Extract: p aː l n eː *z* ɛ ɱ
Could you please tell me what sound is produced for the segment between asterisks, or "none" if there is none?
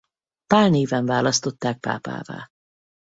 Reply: v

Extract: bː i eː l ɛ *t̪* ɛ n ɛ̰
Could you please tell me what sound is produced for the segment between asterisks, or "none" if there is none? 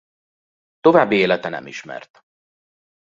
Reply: t̪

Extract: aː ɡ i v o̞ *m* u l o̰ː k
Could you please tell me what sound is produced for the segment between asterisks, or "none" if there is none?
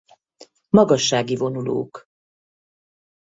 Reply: n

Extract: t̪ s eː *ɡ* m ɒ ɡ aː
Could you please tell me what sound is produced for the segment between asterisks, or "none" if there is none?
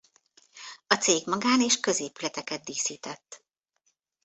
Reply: ɡ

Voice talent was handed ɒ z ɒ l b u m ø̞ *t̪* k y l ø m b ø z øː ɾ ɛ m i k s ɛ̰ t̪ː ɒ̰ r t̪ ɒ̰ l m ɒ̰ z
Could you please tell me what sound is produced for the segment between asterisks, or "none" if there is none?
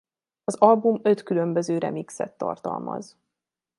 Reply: t̪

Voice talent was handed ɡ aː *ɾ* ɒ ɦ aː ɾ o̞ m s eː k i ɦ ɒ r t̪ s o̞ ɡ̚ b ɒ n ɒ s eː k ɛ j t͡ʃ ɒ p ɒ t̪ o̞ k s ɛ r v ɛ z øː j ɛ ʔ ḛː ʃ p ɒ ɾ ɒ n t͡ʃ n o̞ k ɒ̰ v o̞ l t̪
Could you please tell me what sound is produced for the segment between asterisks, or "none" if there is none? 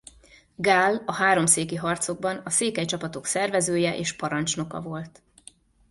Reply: l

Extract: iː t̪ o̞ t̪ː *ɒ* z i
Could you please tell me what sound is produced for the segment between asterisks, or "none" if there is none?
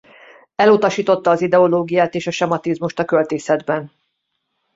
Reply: ɒː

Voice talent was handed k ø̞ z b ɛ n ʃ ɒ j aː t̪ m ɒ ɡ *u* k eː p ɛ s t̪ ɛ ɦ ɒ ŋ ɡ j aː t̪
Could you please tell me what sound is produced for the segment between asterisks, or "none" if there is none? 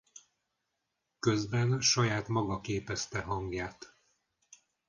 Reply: ɒ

